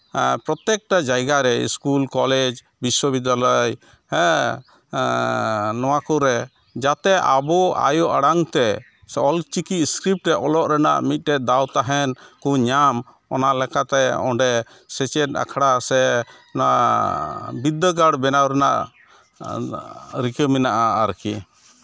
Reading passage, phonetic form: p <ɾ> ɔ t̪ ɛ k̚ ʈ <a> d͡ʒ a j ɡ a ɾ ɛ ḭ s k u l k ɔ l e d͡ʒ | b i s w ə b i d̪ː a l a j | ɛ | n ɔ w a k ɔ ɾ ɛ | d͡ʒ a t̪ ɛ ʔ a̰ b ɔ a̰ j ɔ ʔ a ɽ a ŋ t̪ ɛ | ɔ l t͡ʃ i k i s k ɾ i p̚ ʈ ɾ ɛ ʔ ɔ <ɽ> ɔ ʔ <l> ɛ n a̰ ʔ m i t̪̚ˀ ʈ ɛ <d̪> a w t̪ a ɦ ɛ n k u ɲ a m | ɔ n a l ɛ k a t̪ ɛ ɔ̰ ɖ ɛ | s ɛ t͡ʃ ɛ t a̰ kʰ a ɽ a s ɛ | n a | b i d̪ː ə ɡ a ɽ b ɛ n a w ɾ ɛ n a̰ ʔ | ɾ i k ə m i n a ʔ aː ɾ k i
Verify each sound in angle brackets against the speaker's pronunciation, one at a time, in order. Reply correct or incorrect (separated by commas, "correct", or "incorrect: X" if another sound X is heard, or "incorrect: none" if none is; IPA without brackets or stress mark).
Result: correct, correct, incorrect: l, incorrect: ɾ, correct